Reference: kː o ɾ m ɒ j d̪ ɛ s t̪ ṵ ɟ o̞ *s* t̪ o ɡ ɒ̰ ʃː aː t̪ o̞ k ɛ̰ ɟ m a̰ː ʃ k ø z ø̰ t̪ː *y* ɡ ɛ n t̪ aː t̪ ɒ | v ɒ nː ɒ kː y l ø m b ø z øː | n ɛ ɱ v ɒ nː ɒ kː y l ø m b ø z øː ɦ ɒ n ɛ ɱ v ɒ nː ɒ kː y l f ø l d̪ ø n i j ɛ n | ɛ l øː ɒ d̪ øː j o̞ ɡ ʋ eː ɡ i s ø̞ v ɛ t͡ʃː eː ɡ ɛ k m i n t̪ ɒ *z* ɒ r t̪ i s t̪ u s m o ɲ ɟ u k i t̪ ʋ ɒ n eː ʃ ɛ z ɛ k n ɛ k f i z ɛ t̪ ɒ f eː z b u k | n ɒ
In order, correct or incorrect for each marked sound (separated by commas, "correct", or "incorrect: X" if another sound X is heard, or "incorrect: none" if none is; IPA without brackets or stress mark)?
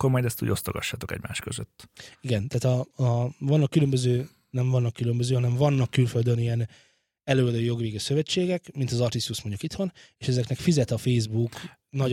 correct, incorrect: i, correct